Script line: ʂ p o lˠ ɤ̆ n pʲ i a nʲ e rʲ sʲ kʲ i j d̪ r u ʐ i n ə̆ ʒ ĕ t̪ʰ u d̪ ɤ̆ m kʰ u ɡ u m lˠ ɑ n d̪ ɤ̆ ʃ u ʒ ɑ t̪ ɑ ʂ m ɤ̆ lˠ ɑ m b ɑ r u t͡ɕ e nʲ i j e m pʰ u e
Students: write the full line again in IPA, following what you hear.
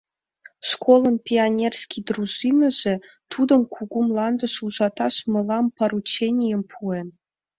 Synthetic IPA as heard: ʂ k o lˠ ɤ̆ n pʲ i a nʲ e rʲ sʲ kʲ i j d̪ r u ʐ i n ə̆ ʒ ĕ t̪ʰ u d̪ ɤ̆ m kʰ u ɡ u m lˠ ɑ n d̪ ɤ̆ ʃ u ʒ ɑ t̪ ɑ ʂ m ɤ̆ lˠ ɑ m p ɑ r u t͡ɕ e nʲ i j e m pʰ u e